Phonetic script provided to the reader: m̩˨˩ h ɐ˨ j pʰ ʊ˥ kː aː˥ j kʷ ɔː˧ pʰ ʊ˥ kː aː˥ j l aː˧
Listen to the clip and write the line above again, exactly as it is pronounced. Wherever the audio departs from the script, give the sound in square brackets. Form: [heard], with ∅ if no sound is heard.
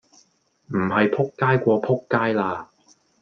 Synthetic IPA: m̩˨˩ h ɐ˨ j pʰ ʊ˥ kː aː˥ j kʷ ɔː˧ pʰ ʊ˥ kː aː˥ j l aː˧